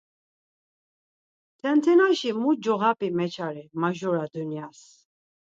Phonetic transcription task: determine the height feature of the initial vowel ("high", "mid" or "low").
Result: mid